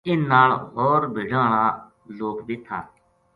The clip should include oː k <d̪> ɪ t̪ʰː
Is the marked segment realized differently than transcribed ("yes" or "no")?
no